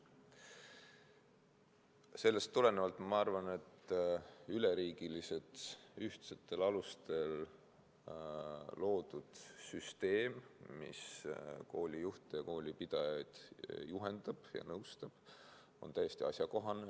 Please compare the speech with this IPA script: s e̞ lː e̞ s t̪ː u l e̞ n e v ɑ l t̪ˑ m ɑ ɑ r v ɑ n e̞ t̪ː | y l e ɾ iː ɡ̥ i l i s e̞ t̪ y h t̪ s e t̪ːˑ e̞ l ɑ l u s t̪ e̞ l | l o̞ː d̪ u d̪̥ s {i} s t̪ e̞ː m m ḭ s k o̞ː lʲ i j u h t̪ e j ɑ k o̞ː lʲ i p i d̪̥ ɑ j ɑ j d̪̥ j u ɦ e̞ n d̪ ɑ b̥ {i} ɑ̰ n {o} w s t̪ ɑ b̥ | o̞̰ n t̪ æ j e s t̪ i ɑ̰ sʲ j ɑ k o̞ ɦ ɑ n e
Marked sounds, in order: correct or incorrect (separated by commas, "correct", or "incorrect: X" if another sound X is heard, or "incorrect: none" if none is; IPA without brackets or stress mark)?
incorrect: y, incorrect: j, incorrect: ɤ